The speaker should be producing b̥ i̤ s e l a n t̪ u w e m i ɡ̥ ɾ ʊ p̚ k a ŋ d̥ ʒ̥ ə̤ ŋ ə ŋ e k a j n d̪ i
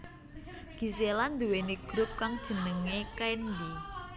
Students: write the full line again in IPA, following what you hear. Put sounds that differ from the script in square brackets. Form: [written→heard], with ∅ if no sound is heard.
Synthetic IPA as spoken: [b̥→ɡ̥] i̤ s e l a n [t̪→d̪] u w e [m→n] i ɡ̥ ɾ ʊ p̚ k a ŋ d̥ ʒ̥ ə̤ [ŋ→n] ə ŋ e k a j n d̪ i